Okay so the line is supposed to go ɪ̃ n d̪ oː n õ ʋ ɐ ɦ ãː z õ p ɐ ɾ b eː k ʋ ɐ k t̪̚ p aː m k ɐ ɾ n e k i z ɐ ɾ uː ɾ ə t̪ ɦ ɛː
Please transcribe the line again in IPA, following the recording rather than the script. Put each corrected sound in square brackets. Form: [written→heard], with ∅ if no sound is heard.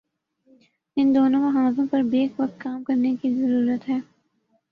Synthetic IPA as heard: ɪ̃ n d̪ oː n õ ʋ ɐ ɦ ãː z õ p ɐ ɾ b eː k ʋ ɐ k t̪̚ [p→k] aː m k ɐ ɾ n e k i z ɐ ɾ uː ɾ ə t̪ ɦ ɛː